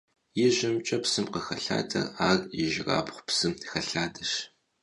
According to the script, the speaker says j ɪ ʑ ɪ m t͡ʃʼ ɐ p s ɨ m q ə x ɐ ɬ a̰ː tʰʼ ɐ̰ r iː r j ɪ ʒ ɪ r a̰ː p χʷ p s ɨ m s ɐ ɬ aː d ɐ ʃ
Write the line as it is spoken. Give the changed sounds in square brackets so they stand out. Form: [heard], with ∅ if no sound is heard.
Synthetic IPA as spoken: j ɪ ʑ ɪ m t͡ʃʼ ɐ p s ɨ m q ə x ɐ ɬ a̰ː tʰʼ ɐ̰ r [aː] r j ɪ ʒ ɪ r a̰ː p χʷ p s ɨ m [x] ɐ ɬ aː d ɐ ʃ